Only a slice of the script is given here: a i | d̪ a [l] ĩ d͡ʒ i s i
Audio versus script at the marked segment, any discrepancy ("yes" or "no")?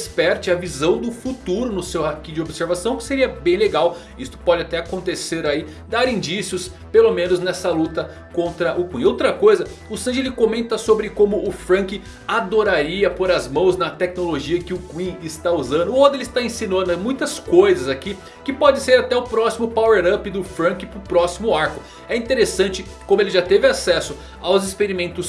yes